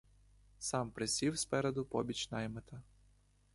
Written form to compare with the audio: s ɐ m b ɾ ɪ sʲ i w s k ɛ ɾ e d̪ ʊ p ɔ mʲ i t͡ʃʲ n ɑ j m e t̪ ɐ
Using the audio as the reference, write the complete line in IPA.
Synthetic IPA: s ɑ m p ɾ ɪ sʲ i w s p ɛ ɾ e d̪ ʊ p ɔ bʲ i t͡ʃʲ n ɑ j m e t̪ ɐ